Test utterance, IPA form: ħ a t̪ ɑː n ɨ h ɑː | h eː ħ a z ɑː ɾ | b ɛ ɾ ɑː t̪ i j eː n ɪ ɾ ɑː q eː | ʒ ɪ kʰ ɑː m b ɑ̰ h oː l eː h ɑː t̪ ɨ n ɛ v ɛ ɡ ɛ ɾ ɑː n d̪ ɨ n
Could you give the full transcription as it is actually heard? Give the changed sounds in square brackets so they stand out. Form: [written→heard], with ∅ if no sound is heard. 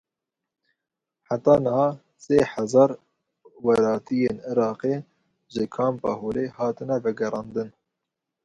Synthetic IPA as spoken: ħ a t̪ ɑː n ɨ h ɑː | [h→s] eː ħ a z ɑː ɾ | [b→w] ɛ ɾ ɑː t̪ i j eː n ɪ ɾ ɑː q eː | ʒ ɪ kʰ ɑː m [b→p] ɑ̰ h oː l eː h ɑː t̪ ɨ n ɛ v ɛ ɡ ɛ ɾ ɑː n d̪ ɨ n